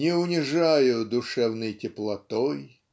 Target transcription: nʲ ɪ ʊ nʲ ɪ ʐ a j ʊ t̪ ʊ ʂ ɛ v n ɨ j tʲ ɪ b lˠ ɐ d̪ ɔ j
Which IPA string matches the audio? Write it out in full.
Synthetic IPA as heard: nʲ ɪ ʊ nʲ ɪ ʐ a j ʊ d̪ ʊ ʂ ɛ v n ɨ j tʲ ɪ p lˠ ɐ t̪ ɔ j